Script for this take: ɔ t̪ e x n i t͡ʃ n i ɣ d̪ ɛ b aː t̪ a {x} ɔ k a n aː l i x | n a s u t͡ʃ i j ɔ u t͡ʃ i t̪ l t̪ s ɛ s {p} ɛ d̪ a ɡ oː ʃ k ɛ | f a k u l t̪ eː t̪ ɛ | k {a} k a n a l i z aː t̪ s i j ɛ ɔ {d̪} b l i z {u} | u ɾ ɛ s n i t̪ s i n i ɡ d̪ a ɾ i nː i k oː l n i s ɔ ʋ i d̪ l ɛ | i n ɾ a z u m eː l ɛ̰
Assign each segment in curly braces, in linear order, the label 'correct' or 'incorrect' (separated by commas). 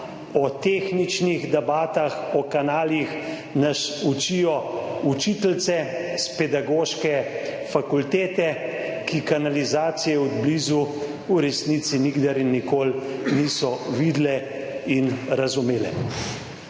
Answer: correct, correct, incorrect, correct, correct